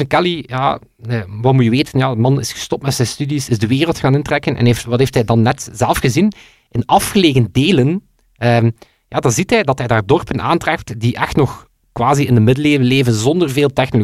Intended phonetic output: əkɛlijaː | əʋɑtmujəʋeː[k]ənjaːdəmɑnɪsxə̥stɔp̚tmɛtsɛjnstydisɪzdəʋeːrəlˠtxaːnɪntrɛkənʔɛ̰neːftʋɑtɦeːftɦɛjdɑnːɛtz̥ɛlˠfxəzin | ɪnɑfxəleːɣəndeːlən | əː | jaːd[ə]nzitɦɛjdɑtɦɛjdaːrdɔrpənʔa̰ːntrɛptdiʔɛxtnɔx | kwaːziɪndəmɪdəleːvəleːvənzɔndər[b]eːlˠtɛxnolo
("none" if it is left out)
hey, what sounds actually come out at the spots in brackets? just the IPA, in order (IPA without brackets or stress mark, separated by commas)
t, ɑ, v